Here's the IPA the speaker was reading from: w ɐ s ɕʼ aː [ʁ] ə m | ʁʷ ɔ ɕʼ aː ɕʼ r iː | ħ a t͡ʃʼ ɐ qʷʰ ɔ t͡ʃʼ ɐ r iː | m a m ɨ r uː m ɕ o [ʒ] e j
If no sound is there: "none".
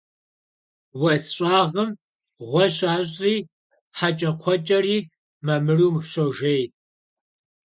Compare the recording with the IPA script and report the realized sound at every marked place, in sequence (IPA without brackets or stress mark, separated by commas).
ʁ, ʒ